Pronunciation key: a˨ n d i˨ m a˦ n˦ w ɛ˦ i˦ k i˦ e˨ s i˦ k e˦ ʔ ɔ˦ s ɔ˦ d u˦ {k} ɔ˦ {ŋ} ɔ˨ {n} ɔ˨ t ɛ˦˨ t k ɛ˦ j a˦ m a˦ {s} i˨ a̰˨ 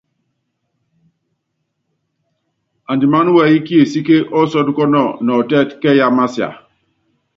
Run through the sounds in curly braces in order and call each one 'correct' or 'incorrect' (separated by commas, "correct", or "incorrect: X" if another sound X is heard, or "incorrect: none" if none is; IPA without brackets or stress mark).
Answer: correct, incorrect: n, correct, correct